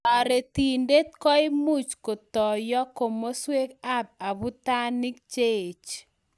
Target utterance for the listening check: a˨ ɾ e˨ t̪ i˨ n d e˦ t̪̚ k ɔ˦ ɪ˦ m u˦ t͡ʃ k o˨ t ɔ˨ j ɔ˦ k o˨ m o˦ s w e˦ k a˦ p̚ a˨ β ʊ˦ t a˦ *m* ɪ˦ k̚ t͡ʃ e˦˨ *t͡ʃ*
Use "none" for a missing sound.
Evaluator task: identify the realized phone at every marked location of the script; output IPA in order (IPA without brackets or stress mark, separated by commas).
n, t͡ʃ